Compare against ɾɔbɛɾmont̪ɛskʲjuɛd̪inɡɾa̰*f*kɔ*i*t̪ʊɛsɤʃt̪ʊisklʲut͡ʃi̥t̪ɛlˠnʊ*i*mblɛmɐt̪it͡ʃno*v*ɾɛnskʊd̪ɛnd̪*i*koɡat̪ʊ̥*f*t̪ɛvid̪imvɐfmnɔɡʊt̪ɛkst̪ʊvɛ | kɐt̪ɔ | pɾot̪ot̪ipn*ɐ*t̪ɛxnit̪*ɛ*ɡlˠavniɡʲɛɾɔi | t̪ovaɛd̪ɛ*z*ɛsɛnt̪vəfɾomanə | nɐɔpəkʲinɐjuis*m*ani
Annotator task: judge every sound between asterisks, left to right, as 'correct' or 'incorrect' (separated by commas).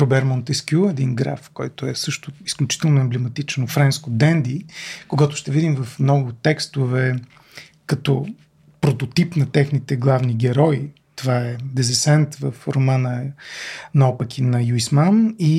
correct, incorrect, incorrect, incorrect, correct, incorrect, correct, correct, correct, correct